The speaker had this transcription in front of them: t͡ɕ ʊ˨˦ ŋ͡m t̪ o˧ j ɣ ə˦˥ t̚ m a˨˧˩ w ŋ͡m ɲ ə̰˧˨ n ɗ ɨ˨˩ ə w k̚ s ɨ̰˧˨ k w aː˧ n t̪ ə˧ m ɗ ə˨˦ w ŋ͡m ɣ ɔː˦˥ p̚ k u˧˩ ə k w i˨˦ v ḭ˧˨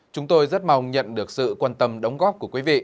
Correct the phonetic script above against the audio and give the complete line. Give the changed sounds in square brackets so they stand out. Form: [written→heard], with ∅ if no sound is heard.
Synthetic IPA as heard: t͡ɕ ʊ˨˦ ŋ͡m t̪ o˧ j [ɣ→z] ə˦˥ t̚ m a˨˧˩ w ŋ͡m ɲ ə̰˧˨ n ɗ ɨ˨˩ ə [w→∅] k̚ s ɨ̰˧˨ k w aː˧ n t̪ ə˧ m ɗ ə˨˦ w ŋ͡m ɣ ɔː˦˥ p̚ k u˧˩ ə k w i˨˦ v ḭ˧˨

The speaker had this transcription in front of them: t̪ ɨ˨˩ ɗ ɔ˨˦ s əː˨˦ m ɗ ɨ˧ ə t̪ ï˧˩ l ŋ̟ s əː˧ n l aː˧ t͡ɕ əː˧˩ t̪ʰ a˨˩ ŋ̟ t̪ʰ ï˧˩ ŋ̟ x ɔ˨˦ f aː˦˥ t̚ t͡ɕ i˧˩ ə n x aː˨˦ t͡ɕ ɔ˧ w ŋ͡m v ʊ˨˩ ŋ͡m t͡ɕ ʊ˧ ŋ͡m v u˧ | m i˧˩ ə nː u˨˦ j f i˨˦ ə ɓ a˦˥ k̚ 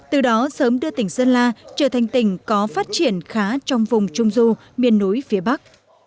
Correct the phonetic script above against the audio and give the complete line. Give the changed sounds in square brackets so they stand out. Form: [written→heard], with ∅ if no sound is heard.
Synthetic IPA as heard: t̪ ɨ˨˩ ɗ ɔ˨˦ s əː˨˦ m ɗ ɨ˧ ə t̪ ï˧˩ [l→∅] ŋ̟ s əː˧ n l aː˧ t͡ɕ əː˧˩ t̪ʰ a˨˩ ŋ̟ [t̪ʰ→t̪] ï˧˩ ŋ̟ [x→k] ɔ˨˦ f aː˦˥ t̚ t͡ɕ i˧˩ ə n x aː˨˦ t͡ɕ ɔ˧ w ŋ͡m v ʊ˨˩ ŋ͡m t͡ɕ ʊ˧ ŋ͡m [v→z] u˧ | m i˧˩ ə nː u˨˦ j f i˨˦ ə ɓ a˦˥ k̚

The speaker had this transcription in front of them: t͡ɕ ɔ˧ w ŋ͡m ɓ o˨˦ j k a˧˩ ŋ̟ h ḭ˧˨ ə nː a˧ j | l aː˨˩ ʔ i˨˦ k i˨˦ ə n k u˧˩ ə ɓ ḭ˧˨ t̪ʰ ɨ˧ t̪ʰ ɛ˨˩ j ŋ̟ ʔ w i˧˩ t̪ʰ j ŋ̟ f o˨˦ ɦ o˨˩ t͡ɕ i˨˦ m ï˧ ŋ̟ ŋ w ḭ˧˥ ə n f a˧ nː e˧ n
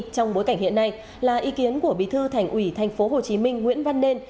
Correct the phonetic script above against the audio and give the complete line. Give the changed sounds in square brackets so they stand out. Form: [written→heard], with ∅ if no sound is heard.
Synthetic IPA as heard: t͡ɕ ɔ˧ w ŋ͡m ɓ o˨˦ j k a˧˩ ŋ̟ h ḭ˧˨ ə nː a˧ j | l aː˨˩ ʔ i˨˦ k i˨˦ ə n k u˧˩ ə ɓ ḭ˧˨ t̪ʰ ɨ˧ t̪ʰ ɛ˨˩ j ŋ̟ ʔ w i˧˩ t̪ʰ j ŋ̟ f o˨˦ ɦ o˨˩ t͡ɕ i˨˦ m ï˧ ŋ̟ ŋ w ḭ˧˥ ə n [f→v] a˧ nː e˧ n

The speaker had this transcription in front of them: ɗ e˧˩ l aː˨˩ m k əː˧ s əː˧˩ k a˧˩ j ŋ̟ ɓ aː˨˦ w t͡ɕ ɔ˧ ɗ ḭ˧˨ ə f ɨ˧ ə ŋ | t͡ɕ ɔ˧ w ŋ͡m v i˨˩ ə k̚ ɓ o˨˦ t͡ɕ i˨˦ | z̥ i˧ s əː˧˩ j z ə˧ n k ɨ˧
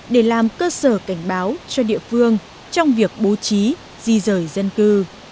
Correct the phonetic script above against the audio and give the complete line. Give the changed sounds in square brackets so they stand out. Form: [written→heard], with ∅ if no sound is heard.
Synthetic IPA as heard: ɗ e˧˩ l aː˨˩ m k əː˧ s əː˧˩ k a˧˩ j ŋ̟ ɓ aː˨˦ w t͡ɕ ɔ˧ ɗ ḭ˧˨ ə f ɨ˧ ə ŋ | t͡ɕ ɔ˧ w ŋ͡m v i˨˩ ə k̚ ɓ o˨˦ t͡ɕ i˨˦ | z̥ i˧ [s→z] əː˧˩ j z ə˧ n k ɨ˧

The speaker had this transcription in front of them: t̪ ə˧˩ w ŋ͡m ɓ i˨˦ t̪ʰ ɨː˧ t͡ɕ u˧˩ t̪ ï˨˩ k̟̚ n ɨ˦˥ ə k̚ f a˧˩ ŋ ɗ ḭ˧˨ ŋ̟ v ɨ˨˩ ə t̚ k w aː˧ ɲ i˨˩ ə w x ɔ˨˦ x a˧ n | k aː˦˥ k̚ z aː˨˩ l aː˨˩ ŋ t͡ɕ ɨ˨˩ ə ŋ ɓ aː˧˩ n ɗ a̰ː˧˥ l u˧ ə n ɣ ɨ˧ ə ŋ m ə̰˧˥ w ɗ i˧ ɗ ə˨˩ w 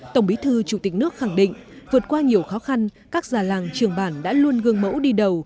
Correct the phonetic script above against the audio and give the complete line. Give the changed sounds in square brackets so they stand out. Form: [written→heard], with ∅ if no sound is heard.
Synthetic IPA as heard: t̪ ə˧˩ w ŋ͡m ɓ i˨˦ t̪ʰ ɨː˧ t͡ɕ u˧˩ t̪ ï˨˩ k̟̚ n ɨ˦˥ ə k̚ [f→x] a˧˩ ŋ ɗ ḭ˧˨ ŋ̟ v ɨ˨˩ ə t̚ k w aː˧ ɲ i˨˩ ə w x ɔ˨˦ x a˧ n | k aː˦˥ k̚ z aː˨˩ l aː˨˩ ŋ t͡ɕ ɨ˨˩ ə ŋ ɓ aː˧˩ n ɗ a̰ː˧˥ l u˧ ə n ɣ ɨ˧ ə ŋ m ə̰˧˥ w ɗ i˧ ɗ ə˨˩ w

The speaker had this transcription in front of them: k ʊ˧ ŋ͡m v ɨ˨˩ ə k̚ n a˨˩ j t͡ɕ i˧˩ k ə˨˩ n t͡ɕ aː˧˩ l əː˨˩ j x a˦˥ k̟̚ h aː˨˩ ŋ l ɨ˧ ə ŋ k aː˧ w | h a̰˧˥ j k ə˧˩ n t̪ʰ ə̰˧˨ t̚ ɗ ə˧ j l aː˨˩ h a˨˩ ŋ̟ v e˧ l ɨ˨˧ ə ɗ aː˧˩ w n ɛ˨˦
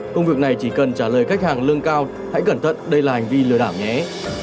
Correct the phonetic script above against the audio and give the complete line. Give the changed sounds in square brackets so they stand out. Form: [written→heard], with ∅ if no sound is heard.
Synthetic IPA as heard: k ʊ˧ ŋ͡m v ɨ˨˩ ə k̚ n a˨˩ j t͡ɕ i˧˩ k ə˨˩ n t͡ɕ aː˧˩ l əː˨˩ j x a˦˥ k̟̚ h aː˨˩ ŋ l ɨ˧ ə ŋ k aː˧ w | h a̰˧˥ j k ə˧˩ n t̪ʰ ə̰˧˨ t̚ ɗ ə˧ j l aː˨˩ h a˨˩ ŋ̟ v [e˧→i˧] l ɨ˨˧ ə ɗ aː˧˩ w [n→ɲ] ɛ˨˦

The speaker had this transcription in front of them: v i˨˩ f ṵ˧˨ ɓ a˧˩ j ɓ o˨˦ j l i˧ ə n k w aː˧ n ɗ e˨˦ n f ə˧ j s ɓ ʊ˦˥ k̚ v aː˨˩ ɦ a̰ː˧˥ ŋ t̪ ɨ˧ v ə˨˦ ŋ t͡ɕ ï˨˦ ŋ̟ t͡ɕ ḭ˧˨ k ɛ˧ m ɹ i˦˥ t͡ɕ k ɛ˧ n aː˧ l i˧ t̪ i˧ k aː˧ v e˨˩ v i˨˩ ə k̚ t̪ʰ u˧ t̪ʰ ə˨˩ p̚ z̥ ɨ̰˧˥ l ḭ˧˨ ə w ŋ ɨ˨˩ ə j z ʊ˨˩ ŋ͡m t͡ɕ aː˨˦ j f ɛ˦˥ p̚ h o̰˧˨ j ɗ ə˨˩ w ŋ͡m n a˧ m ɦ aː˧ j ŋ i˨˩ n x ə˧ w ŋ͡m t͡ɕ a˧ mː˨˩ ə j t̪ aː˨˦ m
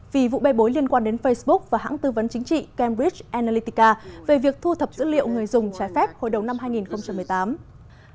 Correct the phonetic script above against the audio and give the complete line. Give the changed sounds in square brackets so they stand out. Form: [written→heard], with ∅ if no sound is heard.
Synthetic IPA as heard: v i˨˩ [f→v] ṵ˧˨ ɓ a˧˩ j ɓ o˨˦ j l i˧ ə n k w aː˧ n ɗ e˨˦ n f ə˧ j s ɓ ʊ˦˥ k̚ v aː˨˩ ɦ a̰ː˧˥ ŋ t̪ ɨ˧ v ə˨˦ [ŋ→n] t͡ɕ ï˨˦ ŋ̟ t͡ɕ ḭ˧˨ k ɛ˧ m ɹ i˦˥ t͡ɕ [k→ʔ] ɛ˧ n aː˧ l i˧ t̪ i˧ k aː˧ v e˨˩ v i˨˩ ə k̚ t̪ʰ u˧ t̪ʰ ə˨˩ p̚ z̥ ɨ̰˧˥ l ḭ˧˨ ə w ŋ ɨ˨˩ ə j z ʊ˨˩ ŋ͡m t͡ɕ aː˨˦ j f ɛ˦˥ p̚ h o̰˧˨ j ɗ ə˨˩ w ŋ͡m n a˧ m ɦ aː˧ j ŋ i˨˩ n x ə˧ w ŋ͡m t͡ɕ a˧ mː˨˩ ə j t̪ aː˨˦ m

